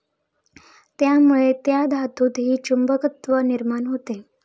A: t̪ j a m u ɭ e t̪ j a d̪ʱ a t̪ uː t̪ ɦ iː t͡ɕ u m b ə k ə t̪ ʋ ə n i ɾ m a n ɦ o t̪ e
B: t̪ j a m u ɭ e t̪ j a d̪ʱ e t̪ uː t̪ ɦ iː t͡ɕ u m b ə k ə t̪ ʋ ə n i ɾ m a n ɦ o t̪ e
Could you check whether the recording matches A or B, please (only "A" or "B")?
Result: A